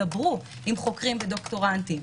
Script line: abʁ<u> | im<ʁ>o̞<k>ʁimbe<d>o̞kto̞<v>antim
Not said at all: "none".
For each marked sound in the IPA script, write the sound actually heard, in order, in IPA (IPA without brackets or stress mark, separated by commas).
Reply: u, χ, k, d, ʁ